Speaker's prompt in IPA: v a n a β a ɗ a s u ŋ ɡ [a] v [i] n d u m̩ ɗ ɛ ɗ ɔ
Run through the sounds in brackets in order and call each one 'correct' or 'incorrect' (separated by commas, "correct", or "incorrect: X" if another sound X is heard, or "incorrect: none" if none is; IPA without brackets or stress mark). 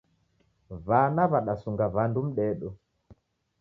correct, incorrect: a